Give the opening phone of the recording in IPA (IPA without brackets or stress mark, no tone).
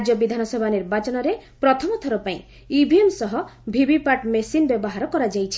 d͡ʒ